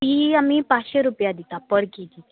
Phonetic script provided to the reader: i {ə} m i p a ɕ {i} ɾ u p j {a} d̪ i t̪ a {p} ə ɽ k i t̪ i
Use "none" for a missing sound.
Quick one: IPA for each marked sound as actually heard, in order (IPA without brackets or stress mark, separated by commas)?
a, e, a, p